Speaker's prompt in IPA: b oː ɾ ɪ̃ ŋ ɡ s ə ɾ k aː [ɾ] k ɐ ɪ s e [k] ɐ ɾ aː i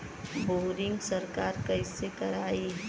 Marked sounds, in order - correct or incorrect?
correct, correct

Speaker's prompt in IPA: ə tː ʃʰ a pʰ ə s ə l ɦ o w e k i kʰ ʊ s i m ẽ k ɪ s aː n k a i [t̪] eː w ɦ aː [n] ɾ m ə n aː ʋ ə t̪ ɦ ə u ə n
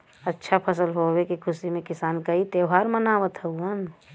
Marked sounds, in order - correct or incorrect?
correct, incorrect

